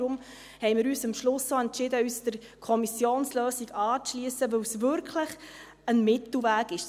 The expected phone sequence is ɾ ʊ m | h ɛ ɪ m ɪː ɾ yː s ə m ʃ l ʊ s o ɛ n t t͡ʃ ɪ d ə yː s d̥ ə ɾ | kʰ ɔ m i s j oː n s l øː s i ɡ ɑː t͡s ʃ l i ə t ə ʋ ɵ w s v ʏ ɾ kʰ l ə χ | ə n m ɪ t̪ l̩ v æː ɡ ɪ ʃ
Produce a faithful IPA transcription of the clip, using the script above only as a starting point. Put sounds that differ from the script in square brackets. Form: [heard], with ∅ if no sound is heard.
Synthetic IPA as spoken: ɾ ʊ m | h ɛ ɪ m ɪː ɾ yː s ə m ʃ l ʊ s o ɛ n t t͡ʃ ɪ d ə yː s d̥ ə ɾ | kʰ ɔ m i s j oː n s l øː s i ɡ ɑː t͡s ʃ l i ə [s] ə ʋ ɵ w s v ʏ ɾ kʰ l ə χ | ə n m ɪ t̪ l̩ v æː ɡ ɪ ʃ